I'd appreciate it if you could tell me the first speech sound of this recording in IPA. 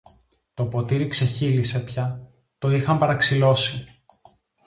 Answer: t̪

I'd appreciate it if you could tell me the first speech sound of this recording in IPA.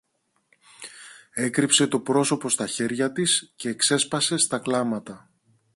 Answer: e̞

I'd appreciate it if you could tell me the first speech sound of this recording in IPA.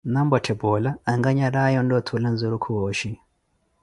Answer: n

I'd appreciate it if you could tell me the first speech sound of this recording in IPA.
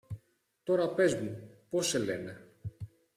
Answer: t̪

